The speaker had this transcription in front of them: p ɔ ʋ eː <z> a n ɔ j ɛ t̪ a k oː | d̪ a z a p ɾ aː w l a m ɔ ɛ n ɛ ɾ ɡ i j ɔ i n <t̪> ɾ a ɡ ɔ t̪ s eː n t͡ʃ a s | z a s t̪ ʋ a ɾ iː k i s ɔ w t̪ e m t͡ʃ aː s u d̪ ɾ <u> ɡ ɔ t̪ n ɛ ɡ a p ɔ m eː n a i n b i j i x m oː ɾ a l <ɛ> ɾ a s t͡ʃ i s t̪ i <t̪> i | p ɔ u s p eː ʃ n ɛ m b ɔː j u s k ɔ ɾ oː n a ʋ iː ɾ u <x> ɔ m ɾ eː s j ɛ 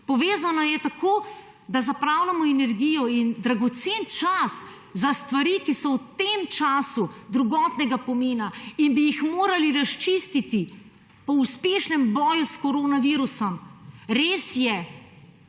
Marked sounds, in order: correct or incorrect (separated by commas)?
correct, incorrect, correct, incorrect, correct, incorrect